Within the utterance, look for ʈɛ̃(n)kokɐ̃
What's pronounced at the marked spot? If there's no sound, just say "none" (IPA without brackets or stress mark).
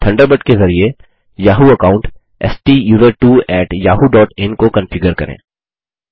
n